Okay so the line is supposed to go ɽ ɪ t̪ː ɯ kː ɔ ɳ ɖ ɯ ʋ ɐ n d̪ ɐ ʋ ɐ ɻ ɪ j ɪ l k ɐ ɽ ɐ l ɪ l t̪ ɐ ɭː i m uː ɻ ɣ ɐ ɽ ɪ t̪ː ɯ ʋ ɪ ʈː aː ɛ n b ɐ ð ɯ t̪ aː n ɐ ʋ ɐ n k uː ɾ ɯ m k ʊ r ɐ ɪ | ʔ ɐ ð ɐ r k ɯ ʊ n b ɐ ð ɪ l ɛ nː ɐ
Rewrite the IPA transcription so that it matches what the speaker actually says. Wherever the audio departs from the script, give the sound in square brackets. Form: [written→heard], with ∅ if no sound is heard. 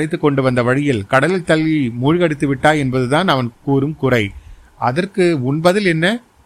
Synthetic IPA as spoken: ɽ ɪ t̪ː ɯ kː ɔ ɳ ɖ ɯ ʋ ɐ n d̪ ɐ ʋ ɐ ɻ ɪ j ɪ l k ɐ ɽ ɐ l ɪ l t̪ ɐ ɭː i m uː ɻ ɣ ɐ ɽ ɪ t̪ː ɯ ʋ ɪ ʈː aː ɛ n b ɐ ð ɯ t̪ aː n ɐ ʋ ɐ n k uː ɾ ɯ m k ʊ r ɐ ɪ | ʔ ɐ ð ɐ r k ɯ ʊ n b ɐ ð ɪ l ɛ nː ɐ